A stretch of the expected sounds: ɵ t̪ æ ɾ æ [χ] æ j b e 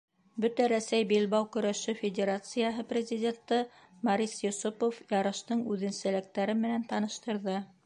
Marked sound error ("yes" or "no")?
yes